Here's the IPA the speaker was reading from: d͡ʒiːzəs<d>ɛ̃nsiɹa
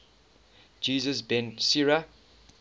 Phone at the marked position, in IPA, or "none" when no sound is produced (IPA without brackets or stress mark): b